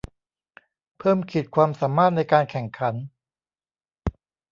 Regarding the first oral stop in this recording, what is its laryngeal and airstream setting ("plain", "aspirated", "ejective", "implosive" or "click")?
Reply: aspirated